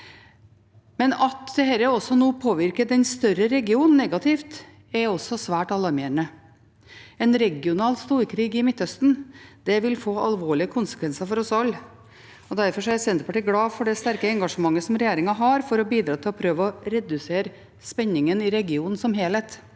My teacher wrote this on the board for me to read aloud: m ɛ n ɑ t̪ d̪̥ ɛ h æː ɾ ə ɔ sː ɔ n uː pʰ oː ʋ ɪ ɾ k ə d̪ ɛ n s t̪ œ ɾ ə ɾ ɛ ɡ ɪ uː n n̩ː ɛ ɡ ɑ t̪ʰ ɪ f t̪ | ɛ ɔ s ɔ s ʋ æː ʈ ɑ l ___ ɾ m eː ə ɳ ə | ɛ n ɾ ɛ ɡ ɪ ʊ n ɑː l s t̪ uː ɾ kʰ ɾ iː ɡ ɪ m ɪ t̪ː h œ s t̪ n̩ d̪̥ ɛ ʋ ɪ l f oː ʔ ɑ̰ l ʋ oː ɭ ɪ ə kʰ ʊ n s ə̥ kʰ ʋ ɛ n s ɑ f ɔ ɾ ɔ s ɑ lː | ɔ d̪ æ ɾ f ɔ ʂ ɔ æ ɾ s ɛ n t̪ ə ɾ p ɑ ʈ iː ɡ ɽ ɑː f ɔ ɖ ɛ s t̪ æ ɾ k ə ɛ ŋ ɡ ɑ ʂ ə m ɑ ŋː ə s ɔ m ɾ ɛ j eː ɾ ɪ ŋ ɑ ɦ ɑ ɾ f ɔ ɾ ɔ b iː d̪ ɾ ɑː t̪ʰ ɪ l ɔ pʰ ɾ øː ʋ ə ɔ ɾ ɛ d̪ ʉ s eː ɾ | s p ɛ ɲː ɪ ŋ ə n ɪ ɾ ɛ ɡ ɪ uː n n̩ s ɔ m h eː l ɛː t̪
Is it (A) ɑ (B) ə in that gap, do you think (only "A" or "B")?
A